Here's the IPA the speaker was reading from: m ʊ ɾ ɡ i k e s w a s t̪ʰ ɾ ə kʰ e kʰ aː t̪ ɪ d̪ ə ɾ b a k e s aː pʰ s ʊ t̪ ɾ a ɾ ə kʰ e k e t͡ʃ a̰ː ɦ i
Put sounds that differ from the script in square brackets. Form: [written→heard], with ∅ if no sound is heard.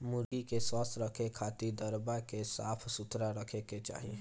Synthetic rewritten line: m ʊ ɾ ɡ i k e s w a s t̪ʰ ɾ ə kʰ e kʰ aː t̪ [ɪ→i] d̪ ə ɾ b a k e s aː pʰ s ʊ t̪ ɾ a ɾ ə kʰ e k e t͡ʃ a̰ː ɦ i